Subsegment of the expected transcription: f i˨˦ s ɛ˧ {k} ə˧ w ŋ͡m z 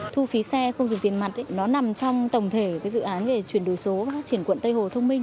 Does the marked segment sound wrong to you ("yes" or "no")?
yes